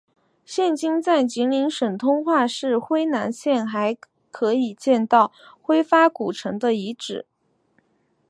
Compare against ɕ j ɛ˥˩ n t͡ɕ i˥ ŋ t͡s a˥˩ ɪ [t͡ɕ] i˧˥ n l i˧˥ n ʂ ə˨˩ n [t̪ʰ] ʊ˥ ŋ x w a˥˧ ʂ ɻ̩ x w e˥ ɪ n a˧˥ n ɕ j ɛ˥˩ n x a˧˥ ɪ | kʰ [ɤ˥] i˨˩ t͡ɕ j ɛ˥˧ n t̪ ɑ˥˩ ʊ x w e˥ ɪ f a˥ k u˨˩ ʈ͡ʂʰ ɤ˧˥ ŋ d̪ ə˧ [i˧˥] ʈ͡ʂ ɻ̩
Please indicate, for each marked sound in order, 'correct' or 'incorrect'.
correct, correct, incorrect: ɤ˧˥, correct

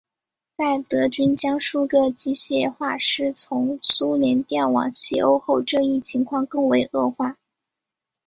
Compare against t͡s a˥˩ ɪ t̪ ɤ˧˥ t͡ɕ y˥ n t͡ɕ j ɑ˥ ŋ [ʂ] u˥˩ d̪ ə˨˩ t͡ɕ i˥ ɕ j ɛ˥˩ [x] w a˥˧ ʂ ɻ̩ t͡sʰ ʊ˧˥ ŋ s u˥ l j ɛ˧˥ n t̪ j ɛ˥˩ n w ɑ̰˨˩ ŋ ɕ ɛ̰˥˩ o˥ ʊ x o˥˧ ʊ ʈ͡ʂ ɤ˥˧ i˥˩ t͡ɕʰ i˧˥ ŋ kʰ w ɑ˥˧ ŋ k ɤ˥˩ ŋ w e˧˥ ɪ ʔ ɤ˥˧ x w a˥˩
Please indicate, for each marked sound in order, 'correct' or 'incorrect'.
correct, correct

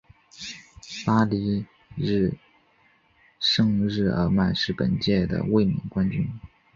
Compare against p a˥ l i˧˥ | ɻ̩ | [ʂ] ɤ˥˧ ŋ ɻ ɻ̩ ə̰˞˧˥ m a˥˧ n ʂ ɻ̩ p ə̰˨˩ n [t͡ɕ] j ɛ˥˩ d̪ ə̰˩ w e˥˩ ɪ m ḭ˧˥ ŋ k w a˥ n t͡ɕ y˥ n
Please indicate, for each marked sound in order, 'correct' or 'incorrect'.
correct, correct

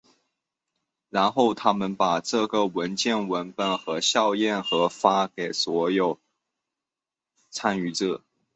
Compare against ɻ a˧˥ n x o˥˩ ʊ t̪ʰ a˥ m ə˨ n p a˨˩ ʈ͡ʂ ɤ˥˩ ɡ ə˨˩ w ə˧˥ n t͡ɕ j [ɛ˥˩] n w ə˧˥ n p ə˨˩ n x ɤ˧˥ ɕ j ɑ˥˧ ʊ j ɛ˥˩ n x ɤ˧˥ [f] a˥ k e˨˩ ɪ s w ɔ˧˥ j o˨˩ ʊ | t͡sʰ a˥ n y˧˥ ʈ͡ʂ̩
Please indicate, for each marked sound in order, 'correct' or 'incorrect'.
correct, correct

